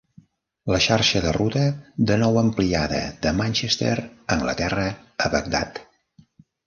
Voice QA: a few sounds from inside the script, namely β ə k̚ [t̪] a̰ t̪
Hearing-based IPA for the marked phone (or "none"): d̪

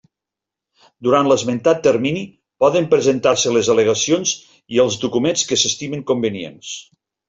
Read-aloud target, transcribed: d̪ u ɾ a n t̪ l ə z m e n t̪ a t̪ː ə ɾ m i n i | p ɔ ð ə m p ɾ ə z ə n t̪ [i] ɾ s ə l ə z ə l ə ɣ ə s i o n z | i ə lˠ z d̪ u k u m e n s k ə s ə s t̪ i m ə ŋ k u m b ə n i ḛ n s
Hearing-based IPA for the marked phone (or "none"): a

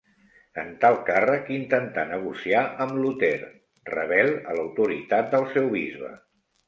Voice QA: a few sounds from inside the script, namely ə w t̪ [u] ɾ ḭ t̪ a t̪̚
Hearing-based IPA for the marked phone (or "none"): u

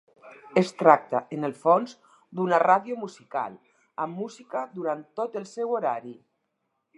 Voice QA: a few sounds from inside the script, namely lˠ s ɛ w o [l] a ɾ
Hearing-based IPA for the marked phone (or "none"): ɾ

